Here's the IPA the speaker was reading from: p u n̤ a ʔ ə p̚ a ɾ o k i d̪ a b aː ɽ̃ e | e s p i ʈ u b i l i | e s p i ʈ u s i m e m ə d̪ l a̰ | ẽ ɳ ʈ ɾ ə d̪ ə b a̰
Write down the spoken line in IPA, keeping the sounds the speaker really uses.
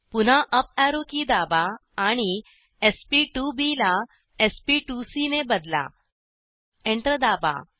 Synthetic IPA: p u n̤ a ʔ ə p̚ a ɾ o k i d̪ a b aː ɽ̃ i | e s p i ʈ u b i l a | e s p i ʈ u s i n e b ə d̪ l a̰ | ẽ ɳ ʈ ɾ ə d̪ a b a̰